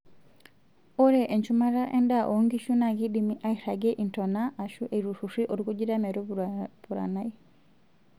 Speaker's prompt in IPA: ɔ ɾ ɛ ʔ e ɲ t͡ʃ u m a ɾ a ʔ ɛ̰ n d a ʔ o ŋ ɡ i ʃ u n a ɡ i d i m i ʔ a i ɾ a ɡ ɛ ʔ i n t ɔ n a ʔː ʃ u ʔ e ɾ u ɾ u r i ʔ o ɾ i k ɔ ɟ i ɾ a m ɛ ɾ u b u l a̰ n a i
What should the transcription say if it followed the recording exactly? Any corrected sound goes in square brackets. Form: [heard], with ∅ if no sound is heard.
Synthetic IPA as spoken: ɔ ɾ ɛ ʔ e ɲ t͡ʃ u m a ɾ a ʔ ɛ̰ n d a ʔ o ŋ ɡ i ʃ u n a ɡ i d i m i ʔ a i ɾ a ɡ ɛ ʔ i n t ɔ n a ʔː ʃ u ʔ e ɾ u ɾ u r i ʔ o ɾ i k [u] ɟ i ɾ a m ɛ ɾ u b u [ɾ] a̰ n a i